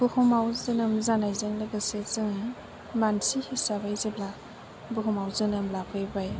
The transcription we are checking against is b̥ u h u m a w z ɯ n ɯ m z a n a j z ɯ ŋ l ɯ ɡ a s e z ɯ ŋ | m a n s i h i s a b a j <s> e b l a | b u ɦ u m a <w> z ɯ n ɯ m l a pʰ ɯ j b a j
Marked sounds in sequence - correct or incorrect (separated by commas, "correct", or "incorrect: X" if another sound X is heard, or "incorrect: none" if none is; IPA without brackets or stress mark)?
incorrect: z, correct